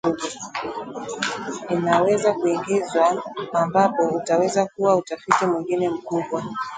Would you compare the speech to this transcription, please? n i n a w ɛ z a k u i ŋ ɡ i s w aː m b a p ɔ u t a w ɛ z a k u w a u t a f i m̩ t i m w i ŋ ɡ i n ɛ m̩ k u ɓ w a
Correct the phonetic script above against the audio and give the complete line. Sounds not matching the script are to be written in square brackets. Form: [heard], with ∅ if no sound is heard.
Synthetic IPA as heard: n i n a w ɛ z a k u i ŋ ɡ i [z] w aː m b a p ɔ u t a w ɛ z a k u w a u t a f i [∅] t i m w i ŋ ɡ i n ɛ m̩ k u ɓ w a